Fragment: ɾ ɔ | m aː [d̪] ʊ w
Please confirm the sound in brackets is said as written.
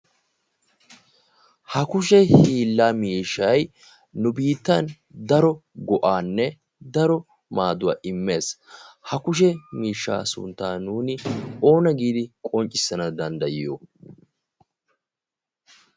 yes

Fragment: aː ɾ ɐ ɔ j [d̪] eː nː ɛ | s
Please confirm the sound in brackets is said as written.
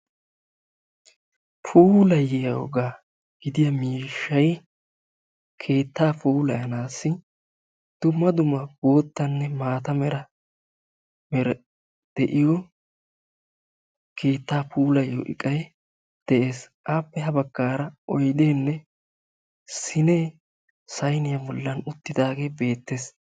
yes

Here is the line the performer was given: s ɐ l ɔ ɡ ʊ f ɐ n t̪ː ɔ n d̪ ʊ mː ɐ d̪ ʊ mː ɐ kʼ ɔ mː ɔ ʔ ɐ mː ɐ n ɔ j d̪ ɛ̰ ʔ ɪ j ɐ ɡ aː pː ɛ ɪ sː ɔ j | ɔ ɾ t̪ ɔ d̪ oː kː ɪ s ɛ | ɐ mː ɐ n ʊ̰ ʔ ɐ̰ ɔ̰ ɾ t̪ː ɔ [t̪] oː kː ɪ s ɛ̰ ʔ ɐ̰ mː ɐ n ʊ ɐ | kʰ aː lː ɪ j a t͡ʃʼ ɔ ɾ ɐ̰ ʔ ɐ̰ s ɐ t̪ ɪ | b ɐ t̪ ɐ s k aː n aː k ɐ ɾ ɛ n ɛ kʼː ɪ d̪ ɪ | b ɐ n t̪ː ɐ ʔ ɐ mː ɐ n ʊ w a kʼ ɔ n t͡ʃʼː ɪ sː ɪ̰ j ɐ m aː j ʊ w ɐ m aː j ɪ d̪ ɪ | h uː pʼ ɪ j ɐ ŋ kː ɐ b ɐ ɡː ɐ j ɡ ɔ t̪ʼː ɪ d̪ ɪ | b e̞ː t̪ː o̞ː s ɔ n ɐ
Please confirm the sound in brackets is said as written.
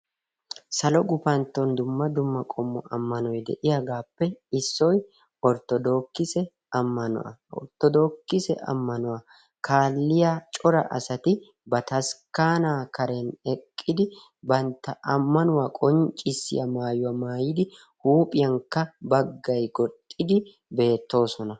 no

